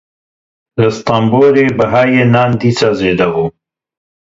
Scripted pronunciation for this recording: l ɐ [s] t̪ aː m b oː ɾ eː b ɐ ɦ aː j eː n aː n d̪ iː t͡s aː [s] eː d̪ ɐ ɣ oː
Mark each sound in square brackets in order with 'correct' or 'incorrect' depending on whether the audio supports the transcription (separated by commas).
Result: correct, incorrect